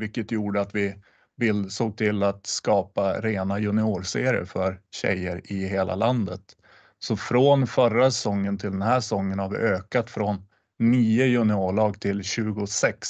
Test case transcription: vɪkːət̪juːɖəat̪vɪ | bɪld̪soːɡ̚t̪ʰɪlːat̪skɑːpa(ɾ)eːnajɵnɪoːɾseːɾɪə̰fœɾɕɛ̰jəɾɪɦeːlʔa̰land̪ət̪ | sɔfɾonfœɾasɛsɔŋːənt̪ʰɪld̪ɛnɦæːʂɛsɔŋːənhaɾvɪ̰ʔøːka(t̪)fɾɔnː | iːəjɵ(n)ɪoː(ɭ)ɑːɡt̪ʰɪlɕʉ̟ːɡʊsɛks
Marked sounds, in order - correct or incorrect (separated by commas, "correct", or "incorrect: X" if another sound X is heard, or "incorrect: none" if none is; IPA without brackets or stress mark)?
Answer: correct, correct, correct, correct